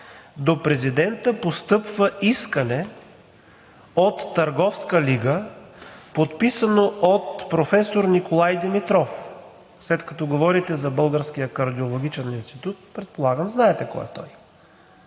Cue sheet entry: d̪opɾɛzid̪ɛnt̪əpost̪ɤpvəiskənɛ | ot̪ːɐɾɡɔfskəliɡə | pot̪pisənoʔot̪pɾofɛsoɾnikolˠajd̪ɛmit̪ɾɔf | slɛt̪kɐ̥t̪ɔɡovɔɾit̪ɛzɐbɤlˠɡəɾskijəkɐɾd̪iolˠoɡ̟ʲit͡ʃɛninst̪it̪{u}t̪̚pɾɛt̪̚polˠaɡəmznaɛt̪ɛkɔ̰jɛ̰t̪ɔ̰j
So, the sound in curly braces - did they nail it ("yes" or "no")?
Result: yes